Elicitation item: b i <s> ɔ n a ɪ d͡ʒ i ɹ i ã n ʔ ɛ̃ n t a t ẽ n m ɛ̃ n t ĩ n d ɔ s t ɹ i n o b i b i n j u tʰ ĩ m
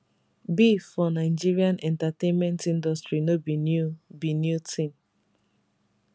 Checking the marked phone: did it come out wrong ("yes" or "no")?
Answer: yes